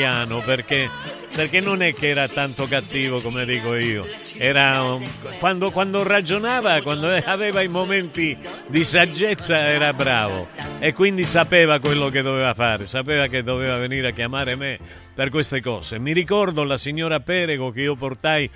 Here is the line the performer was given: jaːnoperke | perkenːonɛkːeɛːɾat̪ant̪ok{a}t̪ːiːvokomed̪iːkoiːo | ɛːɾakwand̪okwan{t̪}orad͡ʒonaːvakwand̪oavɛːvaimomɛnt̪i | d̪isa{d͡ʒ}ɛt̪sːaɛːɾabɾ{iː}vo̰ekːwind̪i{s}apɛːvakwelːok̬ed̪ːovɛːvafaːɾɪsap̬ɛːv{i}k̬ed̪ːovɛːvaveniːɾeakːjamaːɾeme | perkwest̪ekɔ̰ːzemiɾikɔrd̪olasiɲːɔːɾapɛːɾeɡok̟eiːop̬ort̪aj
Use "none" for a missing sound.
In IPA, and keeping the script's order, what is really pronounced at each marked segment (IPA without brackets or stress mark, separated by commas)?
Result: a, d̪, d͡ʒː, aː, s, a